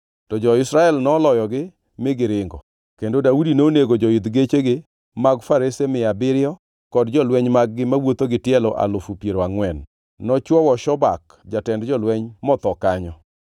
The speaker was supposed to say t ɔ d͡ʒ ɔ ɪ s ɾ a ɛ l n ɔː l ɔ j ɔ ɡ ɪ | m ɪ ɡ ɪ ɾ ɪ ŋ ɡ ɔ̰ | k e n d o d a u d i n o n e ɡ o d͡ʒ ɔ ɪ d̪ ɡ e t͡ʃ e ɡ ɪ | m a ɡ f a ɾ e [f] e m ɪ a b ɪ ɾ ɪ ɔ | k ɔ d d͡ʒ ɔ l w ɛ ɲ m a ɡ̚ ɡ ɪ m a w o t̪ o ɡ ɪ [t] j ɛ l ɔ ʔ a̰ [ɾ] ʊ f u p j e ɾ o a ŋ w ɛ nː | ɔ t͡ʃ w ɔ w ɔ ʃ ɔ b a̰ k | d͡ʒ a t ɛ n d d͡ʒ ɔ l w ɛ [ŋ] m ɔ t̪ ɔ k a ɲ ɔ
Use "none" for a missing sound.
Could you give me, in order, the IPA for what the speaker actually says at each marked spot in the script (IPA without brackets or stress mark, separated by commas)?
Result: s, t, l, ɲ